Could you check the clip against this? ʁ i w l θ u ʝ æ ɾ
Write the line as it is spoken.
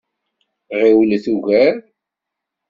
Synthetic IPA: ʁ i w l θ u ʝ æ ɾ

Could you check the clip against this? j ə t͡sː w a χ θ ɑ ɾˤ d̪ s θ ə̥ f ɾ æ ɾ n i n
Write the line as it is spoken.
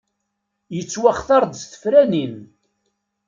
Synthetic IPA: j ə t͡sː w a χ θ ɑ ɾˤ d̪ s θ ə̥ f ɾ æ n i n

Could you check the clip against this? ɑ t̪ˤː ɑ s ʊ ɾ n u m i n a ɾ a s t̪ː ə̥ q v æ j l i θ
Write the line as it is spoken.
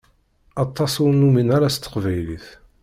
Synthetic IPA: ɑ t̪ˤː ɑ s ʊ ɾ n u m i n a ɾ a s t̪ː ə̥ q v æ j l i θ

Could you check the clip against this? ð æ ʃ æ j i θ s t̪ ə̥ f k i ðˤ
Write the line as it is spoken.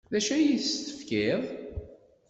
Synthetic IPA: ð æ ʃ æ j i θ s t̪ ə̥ f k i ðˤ

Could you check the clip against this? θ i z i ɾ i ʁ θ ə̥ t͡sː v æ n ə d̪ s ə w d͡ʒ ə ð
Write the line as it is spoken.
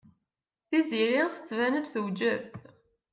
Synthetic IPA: θ i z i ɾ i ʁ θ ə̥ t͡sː v æ n ə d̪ θ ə w d͡ʒ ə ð

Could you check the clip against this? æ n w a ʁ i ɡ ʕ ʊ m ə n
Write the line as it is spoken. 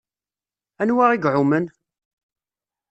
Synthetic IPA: æ n w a ʁ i ɡ ʕ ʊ m ə n

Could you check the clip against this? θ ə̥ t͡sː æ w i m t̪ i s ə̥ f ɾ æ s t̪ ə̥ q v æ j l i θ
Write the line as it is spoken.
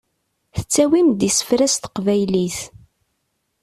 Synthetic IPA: θ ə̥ t͡sː æ w i m d̪ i s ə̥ f ɾ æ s t̪ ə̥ q v æ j l i θ

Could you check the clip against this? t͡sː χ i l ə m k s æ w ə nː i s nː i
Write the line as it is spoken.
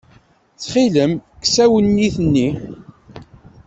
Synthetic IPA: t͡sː χ i l ə m k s æ w ə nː i θ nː i

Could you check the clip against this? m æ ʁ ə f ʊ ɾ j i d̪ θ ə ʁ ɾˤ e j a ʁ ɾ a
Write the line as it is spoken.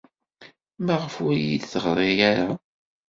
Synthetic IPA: m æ ʁ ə f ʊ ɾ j i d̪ θ ə ʁ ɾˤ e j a ɾ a

